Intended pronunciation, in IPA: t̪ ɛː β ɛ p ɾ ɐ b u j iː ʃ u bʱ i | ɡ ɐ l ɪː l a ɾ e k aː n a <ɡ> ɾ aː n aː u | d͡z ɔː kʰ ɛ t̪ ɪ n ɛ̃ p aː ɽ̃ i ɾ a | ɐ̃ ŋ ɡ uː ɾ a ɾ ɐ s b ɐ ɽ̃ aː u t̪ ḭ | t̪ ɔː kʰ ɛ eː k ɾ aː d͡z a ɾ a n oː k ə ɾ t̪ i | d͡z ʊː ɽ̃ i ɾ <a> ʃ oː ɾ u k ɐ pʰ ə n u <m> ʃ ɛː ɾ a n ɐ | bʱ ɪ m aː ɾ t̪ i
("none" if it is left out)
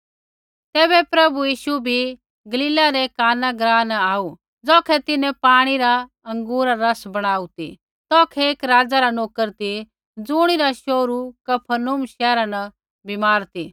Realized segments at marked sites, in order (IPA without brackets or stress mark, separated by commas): ɡ, a, m